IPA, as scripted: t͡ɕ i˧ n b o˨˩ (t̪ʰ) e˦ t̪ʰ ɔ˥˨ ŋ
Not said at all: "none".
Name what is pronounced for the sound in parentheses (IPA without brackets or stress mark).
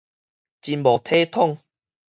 t̪ʰ